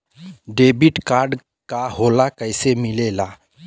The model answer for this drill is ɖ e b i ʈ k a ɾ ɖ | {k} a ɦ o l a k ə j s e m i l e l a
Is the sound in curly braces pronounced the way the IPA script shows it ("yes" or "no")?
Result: yes